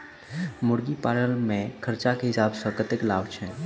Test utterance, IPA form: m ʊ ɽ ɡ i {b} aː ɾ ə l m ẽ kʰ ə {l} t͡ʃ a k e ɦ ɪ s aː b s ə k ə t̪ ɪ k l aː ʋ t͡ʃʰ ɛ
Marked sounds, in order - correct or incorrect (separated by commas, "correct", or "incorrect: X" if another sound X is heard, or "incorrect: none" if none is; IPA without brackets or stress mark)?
incorrect: p, incorrect: ɾ